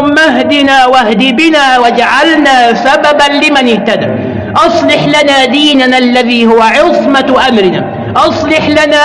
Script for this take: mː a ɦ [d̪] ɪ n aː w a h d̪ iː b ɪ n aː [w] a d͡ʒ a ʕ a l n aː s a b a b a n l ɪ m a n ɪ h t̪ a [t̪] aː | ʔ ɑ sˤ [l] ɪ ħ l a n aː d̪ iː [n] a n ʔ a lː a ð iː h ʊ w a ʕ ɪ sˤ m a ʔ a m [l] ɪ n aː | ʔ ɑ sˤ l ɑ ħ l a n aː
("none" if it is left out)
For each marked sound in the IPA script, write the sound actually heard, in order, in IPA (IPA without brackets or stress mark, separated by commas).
d̪, w, d̪, l, n, ɾ